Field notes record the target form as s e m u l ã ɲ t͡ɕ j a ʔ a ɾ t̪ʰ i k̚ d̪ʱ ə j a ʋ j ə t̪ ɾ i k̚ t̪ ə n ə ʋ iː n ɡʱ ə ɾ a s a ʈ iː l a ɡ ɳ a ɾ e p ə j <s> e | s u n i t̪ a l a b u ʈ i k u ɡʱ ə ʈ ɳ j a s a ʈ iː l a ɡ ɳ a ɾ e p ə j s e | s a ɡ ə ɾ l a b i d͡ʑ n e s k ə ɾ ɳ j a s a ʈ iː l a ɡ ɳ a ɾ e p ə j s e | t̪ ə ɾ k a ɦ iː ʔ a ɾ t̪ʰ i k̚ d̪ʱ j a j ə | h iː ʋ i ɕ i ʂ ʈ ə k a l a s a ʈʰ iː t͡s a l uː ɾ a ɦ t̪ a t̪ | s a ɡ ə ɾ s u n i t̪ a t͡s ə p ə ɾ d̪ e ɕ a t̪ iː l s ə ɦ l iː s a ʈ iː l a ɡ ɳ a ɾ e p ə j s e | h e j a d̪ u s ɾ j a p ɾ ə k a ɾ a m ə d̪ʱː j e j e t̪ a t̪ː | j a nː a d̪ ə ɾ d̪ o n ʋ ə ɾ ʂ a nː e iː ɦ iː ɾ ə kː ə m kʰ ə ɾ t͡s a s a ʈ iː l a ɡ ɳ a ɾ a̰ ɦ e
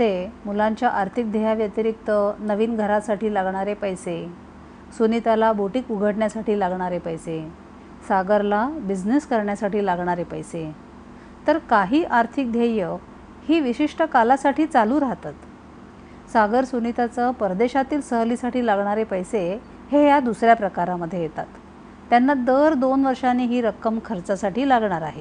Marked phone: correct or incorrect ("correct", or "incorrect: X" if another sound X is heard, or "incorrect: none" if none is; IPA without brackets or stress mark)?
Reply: correct